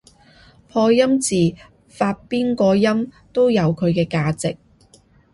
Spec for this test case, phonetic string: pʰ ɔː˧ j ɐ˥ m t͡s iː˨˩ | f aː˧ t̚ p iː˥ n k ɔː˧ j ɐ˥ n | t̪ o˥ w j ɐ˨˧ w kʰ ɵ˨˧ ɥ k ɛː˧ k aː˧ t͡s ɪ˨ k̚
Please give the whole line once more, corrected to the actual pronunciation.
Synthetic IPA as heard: pʰ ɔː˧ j ɐ˥ m t͡s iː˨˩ | f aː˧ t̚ p iː˥ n k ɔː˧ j ɐ˥ m | t̪ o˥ w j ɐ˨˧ w kʰ ɵ˨˧ ɥ k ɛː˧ k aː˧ t͡s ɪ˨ k̚

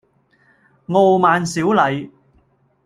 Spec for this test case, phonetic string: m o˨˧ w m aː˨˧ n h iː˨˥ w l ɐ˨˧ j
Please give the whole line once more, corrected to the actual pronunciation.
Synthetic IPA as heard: ŋ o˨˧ w m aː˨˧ n s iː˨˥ w l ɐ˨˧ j

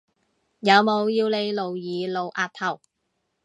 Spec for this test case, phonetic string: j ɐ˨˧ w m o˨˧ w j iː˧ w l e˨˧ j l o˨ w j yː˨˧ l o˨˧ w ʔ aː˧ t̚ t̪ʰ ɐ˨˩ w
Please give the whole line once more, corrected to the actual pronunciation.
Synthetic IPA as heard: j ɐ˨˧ w m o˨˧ w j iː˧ w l e˨˧ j l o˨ w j iː˨˧ l o˨˧ w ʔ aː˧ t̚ t̪ʰ ɐ˨˩ w

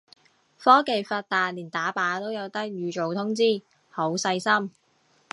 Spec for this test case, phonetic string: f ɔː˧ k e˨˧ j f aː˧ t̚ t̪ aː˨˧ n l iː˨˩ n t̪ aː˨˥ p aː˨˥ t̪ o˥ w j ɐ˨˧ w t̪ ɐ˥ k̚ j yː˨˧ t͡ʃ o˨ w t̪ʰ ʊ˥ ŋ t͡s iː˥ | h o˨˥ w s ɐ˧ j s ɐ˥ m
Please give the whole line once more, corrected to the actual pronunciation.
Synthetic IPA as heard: f ɔː˥ k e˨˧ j f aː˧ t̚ t̪ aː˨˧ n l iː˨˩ n t̪ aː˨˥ p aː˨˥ t̪ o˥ w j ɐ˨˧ w t̪ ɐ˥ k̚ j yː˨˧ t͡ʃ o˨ w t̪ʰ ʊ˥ ŋ t͡s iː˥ | h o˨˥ w s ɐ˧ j s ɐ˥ m

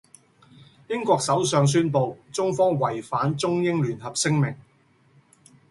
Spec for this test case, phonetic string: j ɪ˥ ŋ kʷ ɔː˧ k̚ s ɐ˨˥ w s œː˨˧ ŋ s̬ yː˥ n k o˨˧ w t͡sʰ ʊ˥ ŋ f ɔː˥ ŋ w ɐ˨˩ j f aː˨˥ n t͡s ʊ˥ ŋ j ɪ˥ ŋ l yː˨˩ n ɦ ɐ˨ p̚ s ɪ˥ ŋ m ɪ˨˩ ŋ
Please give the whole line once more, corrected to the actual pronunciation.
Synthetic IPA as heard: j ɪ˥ ŋ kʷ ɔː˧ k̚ s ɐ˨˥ w s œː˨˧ ŋ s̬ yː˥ n p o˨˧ w t͡s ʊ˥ ŋ f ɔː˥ ŋ w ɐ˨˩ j f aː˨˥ n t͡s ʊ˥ ŋ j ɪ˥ ŋ l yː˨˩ n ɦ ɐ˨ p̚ s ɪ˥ ŋ m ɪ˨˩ ŋ

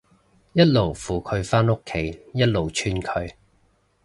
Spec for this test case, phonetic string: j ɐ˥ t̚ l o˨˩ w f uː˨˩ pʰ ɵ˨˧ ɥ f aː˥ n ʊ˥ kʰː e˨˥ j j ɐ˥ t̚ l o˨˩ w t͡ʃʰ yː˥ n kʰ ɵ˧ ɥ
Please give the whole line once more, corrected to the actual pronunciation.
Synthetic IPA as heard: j ɐ˥ t̚ l o˨˩ w f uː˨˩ kʰ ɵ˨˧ ɥ f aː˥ n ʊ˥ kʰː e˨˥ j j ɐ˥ t̚ l o˨˩ w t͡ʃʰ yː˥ n kʰ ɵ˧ ɥ

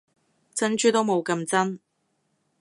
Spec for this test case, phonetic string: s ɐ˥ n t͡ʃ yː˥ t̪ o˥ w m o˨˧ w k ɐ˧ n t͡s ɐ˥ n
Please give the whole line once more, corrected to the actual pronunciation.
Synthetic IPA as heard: t͡s ɐ˥ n t͡ʃ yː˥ t̪ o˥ w m o˨˧ w k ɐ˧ m t͡s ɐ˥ n

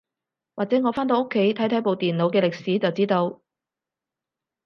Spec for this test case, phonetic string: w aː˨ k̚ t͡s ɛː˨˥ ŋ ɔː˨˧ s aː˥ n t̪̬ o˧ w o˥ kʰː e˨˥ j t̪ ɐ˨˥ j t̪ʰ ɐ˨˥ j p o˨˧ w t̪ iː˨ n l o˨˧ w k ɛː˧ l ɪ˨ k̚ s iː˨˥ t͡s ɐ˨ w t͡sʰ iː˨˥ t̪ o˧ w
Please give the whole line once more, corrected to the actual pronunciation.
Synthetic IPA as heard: w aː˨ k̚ t͡s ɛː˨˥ ŋ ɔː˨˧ f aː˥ n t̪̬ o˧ w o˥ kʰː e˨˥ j t̪ʰ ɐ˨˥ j t̪ʰ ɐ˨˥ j p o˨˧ w t̪ iː˨ n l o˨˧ w k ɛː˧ l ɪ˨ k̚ s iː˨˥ t͡s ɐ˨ w t͡s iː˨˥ t̪ o˧ w

